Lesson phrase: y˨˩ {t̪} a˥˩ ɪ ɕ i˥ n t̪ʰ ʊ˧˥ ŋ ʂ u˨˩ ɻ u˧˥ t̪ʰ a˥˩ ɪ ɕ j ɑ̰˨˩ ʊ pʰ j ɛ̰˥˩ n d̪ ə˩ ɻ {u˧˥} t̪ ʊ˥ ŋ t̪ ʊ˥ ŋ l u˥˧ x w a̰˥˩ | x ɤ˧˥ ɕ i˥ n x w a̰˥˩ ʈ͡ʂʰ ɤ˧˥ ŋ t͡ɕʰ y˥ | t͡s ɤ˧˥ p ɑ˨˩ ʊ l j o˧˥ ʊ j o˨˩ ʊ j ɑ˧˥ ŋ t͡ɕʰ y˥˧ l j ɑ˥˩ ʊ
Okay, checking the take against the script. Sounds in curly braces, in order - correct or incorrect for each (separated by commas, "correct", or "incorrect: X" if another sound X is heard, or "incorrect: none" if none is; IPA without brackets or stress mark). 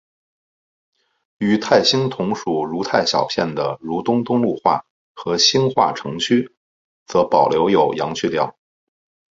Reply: incorrect: t̪ʰ, correct